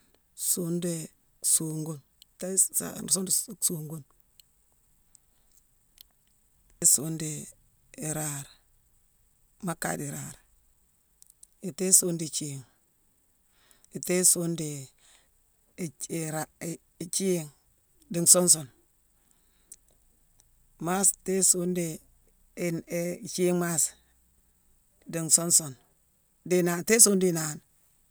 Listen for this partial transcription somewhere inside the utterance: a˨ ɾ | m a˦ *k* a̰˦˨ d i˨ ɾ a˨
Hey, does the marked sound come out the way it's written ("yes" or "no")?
yes